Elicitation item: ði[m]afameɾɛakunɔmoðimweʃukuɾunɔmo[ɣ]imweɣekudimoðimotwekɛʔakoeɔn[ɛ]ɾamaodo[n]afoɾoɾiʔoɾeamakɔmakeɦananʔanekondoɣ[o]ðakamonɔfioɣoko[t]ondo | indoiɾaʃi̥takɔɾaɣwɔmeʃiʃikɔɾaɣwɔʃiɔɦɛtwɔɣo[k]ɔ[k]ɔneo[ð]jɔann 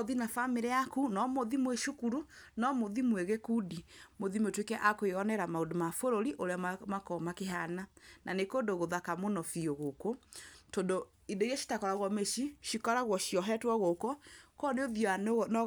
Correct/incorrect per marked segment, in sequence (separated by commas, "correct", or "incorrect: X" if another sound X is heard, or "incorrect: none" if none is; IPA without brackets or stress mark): incorrect: n, incorrect: ð, correct, incorrect: m, correct, correct, correct, correct, correct